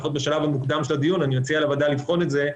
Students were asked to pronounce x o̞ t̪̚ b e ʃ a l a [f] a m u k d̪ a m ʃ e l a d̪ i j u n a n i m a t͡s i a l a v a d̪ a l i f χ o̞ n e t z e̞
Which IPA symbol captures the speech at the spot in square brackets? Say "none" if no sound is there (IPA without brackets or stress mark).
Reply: v